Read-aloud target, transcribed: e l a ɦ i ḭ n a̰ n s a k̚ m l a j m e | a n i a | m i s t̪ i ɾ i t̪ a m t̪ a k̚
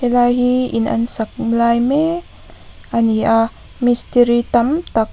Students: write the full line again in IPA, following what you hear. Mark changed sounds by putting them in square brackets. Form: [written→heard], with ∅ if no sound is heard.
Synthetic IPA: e l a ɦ i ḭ n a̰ n s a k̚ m l a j m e | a n i a | m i s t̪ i ɾ i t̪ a m t̪ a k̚